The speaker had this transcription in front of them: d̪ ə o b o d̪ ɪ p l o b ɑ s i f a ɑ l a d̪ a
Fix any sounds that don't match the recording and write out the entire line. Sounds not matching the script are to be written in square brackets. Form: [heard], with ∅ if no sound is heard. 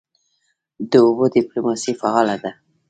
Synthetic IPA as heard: d̪ ə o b o d̪ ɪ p l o [m] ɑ s i f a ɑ l a d̪ a